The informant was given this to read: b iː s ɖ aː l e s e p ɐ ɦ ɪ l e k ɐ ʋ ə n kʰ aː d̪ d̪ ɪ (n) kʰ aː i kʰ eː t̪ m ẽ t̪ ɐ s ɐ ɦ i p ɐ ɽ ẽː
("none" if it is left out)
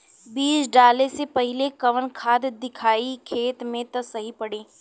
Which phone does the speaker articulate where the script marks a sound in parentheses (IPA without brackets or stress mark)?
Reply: none